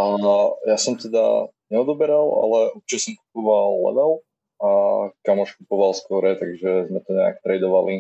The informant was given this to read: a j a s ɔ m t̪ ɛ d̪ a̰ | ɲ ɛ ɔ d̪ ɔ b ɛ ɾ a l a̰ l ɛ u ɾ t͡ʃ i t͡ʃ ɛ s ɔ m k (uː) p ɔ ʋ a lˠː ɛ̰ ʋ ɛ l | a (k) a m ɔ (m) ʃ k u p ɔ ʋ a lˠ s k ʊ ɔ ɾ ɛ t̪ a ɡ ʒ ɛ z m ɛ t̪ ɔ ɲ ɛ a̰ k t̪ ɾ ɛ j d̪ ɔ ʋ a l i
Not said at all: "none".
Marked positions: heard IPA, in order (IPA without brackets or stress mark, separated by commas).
u, k, none